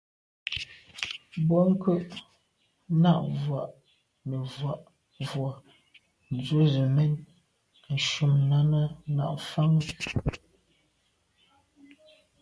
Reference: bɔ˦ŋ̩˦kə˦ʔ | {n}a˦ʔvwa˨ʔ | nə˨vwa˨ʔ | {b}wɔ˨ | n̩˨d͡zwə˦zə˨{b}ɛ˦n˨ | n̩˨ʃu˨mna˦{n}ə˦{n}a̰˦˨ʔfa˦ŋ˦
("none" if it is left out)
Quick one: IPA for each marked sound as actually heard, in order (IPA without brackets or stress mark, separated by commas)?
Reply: n, v, m, n, n